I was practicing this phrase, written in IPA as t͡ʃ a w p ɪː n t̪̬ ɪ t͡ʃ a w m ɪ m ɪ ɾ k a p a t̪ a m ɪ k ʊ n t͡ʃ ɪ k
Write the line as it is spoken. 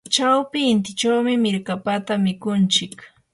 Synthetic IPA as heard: t͡ʃ a w p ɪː n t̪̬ ɪ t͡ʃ a w m ɪ m ɪ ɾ k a p a t̪ a m ɪ k ʊ n t͡ʃ ɪ k